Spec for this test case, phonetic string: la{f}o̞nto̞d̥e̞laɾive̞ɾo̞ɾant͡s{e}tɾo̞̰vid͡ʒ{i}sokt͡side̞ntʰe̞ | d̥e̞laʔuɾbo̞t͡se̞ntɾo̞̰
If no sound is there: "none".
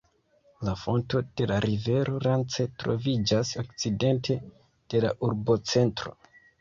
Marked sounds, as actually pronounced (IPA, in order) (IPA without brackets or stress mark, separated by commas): f, e, a